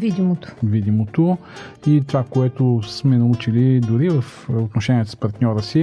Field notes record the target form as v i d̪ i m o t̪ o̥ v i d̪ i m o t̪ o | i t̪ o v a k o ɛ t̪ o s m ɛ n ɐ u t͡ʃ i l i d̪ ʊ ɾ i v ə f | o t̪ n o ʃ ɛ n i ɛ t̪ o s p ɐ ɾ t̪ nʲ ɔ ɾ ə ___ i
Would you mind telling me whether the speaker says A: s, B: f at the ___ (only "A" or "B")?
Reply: A